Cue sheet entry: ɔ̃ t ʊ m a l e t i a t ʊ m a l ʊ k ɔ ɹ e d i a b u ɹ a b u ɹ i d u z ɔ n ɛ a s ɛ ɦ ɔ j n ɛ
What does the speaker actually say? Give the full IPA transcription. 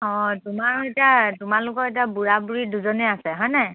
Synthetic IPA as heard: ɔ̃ t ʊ m a ɹ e t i a t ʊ m a l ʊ k ɔ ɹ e t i a b u ɹ a b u ɹ i d u z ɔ n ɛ a s ɛ ɦ ɔ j n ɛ